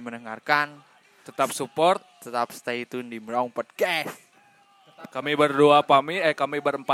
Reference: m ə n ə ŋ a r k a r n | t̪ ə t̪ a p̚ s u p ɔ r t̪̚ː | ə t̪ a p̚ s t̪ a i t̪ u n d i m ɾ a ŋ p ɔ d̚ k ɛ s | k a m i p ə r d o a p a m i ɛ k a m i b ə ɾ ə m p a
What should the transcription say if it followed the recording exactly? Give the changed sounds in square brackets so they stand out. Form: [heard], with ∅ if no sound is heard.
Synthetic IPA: m ə n ə ŋ a r k a [∅] n | t̪ ə t̪ a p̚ s u p ɔ r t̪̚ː | ə t̪ a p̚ s t̪ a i t̪ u n d i m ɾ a ŋ p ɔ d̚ k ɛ s | k a m i [b] ə r d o a p a m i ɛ k a m i b ə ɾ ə m p a